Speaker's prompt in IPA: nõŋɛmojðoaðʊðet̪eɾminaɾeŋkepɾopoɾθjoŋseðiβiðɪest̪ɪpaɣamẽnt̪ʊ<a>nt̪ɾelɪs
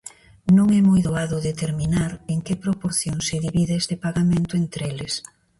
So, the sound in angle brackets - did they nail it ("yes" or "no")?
no